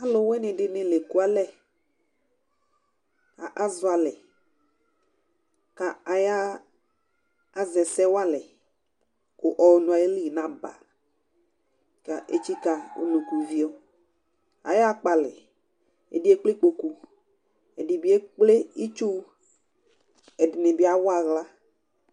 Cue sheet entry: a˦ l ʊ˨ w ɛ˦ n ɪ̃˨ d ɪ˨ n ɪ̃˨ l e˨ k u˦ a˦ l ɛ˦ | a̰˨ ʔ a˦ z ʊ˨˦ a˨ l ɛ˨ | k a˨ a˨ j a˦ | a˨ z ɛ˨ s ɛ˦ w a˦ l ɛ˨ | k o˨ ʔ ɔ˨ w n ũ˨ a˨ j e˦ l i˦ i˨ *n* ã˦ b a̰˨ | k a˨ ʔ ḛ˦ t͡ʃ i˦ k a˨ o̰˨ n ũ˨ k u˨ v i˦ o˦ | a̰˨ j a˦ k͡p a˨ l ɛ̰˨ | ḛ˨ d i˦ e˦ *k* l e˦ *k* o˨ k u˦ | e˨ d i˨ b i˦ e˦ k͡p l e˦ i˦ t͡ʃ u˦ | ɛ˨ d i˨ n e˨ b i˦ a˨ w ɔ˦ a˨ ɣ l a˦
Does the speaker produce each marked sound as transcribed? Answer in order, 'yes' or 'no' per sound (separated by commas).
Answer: yes, no, no